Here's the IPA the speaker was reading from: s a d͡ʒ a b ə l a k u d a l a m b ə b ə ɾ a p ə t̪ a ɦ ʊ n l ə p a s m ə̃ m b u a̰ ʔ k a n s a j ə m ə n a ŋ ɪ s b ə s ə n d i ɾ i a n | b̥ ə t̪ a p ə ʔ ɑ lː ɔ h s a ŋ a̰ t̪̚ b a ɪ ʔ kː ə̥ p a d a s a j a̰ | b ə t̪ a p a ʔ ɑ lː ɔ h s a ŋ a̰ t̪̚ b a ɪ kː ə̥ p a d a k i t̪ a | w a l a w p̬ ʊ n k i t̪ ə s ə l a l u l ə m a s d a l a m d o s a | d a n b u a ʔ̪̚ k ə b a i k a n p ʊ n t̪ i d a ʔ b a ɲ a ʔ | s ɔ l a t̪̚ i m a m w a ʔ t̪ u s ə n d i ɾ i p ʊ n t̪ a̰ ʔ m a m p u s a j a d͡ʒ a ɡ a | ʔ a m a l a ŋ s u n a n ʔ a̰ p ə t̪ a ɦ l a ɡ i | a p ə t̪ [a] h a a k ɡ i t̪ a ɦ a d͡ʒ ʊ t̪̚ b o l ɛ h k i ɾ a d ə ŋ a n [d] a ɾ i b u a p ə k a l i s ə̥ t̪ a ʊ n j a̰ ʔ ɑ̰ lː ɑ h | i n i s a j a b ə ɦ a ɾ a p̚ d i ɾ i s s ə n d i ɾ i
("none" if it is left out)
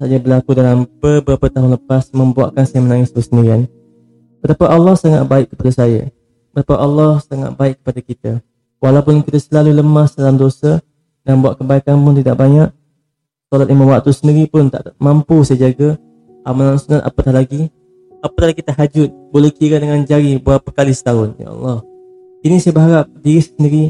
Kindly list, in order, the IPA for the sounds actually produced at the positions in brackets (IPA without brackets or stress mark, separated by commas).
a, d͡ʒ